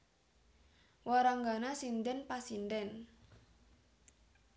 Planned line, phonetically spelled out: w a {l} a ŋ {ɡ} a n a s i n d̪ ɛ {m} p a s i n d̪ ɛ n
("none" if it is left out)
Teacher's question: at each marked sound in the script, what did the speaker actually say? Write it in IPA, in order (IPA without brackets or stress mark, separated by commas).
ɾ, ɡ, n